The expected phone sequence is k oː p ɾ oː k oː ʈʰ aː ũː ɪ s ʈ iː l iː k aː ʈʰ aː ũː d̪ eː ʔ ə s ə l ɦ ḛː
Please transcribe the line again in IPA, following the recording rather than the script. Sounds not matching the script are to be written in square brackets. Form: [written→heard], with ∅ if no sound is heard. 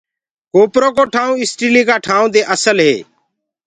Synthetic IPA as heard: k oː p ɾ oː k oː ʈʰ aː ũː ɪ s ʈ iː l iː k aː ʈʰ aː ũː d̪ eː ʔ ə s ə l ɦ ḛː